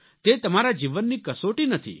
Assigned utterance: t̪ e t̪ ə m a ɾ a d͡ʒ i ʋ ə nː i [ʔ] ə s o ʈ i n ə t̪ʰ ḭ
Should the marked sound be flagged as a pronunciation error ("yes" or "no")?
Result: yes